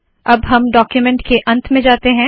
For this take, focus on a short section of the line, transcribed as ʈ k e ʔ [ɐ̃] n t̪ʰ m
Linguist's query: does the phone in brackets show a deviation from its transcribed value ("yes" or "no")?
no